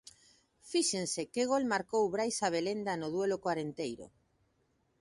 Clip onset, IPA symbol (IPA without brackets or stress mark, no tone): f